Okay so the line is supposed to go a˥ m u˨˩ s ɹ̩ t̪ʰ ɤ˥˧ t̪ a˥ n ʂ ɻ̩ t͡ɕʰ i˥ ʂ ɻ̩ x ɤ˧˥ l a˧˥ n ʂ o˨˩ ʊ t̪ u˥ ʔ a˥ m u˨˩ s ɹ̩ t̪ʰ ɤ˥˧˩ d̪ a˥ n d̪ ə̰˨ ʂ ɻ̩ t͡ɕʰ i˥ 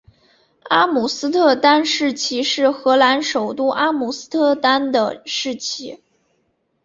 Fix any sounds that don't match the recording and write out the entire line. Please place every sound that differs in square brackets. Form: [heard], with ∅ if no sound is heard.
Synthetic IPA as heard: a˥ m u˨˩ s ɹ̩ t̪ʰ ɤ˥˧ t̪ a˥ n ʂ ɻ̩ t͡ɕʰ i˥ ʂ ɻ̩ x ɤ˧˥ l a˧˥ n ʂ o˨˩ ʊ t̪ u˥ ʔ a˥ m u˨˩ s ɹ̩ t̪ʰ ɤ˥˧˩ [t̪] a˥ n d̪ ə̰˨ ʂ ɻ̩ t͡ɕʰ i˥